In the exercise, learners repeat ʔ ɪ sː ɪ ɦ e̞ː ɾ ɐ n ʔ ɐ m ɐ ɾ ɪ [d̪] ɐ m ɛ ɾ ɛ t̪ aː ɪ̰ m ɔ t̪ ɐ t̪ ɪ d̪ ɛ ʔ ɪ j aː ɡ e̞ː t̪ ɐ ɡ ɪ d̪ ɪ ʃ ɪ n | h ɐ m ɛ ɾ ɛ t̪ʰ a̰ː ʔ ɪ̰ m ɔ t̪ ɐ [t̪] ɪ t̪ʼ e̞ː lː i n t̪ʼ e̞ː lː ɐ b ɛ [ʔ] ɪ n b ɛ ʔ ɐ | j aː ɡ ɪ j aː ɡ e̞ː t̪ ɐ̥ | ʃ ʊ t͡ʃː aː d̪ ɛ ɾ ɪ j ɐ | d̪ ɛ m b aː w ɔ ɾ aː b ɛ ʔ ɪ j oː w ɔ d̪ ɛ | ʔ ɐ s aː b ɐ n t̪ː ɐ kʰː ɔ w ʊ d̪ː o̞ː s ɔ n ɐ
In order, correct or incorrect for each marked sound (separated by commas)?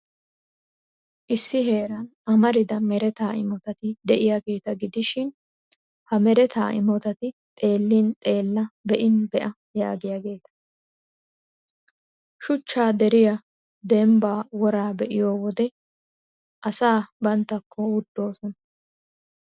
correct, correct, correct